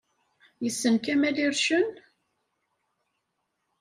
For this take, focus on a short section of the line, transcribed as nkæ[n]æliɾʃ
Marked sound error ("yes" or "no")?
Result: yes